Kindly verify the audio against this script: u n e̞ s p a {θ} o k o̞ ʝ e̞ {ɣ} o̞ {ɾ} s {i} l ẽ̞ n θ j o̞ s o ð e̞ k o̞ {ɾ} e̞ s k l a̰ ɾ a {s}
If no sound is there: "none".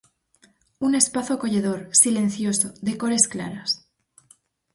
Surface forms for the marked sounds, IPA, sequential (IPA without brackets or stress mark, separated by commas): θ, ð, ɾ, i, ɾ, s